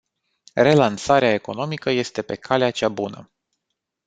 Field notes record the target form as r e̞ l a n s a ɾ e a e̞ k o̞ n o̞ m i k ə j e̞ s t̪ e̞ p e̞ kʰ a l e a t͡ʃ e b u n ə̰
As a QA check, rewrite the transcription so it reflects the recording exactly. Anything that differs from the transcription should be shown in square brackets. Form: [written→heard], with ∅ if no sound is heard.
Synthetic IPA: r e̞ l a n s a ɾ e a e̞ k o̞ n o̞ m i k ə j e̞ s t̪ e̞ p e̞ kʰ a l e a t͡ʃ [e→a] b u n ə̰